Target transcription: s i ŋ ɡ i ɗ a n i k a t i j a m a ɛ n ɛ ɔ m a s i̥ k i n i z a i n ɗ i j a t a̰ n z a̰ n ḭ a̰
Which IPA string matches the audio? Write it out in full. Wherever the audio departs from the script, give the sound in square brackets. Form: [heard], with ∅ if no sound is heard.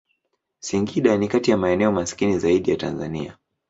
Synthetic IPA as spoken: s i ŋ ɡ i ɗ a n i k a t i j a m a ɛ n ɛ ɔ m a s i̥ k i n i z a i [∅] ɗ i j a t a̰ n z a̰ n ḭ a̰